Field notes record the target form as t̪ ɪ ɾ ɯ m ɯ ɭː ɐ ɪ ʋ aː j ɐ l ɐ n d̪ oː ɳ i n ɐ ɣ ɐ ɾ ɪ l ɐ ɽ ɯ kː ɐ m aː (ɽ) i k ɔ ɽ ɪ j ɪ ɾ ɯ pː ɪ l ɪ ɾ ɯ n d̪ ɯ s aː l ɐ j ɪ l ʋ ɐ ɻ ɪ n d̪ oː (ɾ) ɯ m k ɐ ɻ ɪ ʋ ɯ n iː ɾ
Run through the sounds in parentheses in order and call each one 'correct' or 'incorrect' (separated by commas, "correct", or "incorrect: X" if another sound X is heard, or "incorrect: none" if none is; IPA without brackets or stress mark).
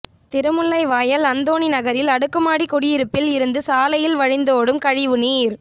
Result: correct, incorrect: ɽ